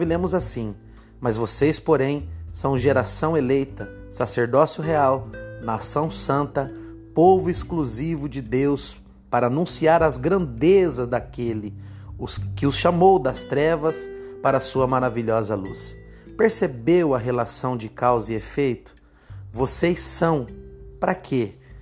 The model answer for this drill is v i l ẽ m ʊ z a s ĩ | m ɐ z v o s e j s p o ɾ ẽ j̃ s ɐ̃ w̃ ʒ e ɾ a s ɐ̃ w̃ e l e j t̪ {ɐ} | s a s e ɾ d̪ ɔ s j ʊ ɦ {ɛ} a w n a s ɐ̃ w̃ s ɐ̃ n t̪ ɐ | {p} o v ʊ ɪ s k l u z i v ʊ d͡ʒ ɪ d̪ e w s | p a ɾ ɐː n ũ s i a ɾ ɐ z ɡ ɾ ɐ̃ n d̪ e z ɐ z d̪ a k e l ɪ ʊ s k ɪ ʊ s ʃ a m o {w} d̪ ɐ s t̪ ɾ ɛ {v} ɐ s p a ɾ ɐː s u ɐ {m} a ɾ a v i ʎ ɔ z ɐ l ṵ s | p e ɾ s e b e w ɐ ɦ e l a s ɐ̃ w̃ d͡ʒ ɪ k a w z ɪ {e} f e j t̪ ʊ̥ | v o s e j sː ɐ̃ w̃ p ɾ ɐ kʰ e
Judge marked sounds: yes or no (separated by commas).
yes, no, yes, yes, yes, yes, yes